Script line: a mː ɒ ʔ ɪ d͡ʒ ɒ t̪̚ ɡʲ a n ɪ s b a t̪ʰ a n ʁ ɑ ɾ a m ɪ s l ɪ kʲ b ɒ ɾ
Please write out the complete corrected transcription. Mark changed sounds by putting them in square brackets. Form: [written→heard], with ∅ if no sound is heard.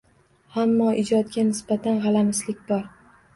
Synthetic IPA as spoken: a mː ɒ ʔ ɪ d͡ʒ ɒ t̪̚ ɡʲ a n ɪ s b a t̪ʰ a n ʁ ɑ [ɾ→l] a m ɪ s l ɪ kʲ b ɒ ɾ

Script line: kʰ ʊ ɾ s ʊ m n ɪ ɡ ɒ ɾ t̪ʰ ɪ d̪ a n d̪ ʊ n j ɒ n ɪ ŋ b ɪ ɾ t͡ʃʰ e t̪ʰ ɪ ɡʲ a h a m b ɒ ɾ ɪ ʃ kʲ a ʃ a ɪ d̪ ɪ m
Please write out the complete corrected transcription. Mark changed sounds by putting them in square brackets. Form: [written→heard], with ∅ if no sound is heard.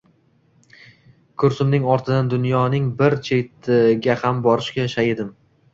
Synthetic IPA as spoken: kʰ ʊ ɾ s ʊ m n ɪ [ɡ→ŋ] ɒ ɾ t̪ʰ ɪ d̪ a n d̪ ʊ n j ɒ n ɪ ŋ b ɪ ɾ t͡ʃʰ e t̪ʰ ɪ ɡʲ a h a m b ɒ ɾ ɪ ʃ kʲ a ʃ a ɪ d̪ ɪ m

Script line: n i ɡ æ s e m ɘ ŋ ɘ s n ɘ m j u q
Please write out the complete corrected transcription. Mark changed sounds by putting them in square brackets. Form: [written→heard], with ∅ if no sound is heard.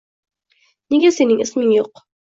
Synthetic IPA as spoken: n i ɡ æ s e [m→n] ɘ ŋ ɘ s [n→m] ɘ [m→ŋ] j u q

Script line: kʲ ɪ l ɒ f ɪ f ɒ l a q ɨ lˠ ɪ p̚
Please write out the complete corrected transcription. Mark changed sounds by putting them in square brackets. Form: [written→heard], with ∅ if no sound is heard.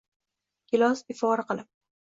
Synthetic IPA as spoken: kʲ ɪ l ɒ [f→s] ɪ f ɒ [l→ɾ] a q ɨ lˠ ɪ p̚

